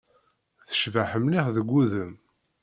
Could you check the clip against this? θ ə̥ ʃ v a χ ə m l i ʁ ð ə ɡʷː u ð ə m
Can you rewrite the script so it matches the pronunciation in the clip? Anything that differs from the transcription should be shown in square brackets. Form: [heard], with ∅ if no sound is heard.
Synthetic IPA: θ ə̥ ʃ v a [ħ] ə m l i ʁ ð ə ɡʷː u ð ə m